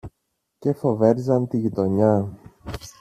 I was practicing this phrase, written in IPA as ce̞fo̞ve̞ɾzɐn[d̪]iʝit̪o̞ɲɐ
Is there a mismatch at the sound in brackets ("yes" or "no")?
yes